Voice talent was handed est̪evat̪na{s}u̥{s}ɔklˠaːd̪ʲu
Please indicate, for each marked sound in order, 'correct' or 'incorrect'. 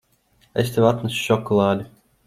correct, incorrect

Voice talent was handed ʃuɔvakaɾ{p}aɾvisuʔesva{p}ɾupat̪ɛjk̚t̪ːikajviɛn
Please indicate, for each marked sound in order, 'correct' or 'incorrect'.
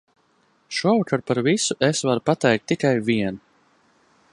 correct, incorrect

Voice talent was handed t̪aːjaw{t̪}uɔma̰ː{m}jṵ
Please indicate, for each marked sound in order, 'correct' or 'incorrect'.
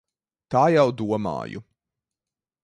incorrect, incorrect

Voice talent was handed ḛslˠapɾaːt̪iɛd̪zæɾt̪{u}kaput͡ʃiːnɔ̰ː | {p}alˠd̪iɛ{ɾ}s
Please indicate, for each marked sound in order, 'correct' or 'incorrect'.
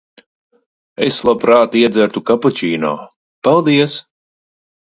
correct, correct, incorrect

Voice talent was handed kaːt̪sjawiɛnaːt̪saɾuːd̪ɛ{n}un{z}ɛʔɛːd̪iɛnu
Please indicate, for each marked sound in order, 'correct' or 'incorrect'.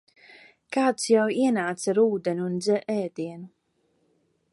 correct, correct

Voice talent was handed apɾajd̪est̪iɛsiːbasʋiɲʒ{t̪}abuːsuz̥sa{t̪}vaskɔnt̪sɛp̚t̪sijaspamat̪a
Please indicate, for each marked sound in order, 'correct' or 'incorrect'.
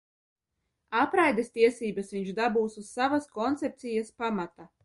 incorrect, incorrect

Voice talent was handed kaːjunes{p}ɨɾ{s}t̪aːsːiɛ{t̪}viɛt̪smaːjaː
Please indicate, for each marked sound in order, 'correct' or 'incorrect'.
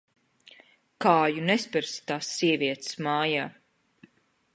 correct, correct, incorrect

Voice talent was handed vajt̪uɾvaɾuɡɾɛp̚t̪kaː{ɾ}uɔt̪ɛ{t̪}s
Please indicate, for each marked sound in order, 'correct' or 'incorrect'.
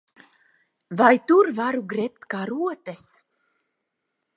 correct, incorrect

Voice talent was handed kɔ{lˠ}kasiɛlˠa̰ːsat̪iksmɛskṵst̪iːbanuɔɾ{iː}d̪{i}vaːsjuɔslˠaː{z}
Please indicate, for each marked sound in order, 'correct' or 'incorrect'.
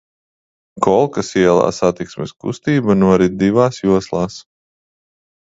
correct, incorrect, correct, incorrect

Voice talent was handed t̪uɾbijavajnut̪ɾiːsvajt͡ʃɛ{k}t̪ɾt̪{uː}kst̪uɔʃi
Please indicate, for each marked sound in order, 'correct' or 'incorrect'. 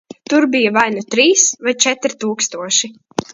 incorrect, correct

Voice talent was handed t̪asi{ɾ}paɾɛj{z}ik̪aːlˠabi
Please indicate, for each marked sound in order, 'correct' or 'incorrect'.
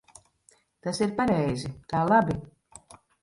correct, correct

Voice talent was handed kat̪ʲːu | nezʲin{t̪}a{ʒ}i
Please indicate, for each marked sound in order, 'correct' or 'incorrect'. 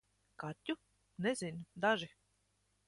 incorrect, correct

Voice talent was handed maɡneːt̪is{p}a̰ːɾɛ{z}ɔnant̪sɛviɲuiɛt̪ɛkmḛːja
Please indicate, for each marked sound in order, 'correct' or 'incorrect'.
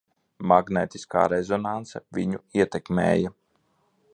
incorrect, correct

